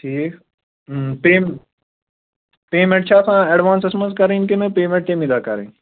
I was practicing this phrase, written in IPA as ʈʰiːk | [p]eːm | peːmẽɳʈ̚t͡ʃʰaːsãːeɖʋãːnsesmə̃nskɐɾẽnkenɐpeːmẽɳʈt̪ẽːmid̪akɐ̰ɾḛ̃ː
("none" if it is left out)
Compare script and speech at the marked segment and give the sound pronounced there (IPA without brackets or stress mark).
p